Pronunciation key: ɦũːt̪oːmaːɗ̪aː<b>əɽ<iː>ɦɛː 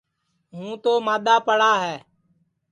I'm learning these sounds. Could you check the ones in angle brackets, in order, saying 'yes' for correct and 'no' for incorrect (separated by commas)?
no, no